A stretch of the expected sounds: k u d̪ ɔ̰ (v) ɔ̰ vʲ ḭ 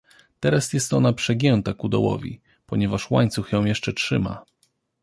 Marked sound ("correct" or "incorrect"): incorrect